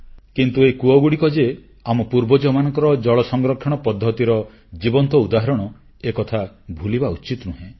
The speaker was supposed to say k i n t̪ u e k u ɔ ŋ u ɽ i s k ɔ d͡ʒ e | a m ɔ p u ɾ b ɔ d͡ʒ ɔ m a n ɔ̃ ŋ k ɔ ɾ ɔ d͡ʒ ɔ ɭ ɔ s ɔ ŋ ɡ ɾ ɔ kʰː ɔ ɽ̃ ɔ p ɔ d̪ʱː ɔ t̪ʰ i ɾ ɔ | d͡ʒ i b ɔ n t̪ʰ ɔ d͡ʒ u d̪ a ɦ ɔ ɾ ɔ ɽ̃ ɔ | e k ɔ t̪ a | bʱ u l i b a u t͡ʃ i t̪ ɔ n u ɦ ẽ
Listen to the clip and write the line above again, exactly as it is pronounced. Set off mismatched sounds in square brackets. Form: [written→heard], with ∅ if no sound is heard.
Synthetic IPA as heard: k i n t̪ u e k u ɔ [ŋ→ɡ] u ɽ i [s→∅] k ɔ d͡ʒ e | a m ɔ p u ɾ b ɔ d͡ʒ ɔ m a n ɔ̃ ŋ k ɔ ɾ ɔ d͡ʒ ɔ ɭ ɔ s ɔ ŋ ɡ ɾ ɔ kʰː ɔ ɽ̃ ɔ p ɔ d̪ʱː ɔ [t̪ʰ→t̪] i ɾ ɔ | d͡ʒ i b ɔ n [t̪ʰ→t̪] ɔ [d͡ʒ→∅] u d̪ a ɦ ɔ ɾ ɔ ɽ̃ ɔ | e k ɔ [t̪→t̪ʰ] a | bʱ u l i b a u t͡ʃ i t̪ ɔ n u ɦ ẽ